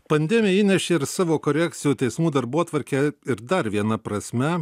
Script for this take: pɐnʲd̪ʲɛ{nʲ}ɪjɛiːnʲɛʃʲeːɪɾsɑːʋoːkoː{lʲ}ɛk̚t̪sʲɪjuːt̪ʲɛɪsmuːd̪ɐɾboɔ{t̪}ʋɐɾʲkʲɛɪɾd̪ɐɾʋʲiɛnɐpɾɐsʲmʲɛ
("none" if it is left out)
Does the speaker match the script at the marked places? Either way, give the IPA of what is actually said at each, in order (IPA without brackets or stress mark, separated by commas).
mʲ, ɾʲ, t̪